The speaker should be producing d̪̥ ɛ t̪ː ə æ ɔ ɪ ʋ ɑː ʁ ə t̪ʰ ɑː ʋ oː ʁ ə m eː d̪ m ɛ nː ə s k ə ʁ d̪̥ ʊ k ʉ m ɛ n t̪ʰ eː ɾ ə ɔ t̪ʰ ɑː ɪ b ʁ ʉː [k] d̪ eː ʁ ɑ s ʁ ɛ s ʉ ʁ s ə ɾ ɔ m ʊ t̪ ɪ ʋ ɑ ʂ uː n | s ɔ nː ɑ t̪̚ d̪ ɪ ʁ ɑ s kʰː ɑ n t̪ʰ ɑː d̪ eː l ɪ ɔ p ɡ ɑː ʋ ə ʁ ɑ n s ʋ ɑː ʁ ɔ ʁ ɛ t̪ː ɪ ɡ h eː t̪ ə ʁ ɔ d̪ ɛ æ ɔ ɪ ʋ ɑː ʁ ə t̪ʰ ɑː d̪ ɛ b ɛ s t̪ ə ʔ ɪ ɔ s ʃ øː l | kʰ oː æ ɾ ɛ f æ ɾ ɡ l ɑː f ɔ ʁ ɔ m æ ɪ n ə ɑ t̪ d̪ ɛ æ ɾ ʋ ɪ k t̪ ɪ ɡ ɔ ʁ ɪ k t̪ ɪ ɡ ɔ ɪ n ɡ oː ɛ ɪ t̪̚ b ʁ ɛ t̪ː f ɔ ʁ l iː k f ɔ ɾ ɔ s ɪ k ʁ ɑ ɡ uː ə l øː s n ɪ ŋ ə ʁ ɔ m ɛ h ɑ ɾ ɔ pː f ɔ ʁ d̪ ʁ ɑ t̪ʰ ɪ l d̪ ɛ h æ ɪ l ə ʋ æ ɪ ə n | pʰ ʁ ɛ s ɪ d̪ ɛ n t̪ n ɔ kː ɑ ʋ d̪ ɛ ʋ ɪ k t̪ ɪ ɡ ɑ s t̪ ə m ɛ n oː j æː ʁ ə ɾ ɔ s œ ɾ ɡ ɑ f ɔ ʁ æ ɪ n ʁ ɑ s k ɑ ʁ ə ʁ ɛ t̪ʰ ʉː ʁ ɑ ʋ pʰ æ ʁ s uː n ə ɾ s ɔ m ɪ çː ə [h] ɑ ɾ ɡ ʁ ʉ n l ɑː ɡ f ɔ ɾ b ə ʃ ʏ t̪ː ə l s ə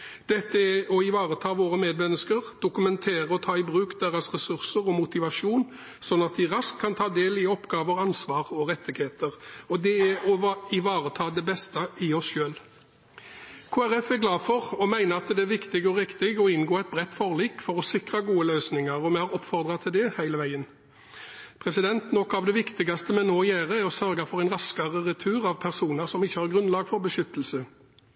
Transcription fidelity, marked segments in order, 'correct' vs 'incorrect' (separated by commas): correct, correct